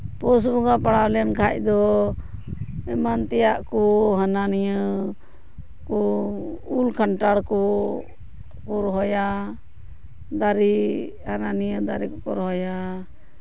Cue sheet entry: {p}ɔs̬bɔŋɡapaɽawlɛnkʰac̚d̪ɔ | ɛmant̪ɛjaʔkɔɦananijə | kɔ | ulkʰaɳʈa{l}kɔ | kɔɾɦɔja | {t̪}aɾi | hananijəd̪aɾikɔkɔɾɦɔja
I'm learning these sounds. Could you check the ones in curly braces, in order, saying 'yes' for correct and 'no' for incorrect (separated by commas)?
yes, no, no